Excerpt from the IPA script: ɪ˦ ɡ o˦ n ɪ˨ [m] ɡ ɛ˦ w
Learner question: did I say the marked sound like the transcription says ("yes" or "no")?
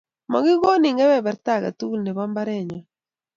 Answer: no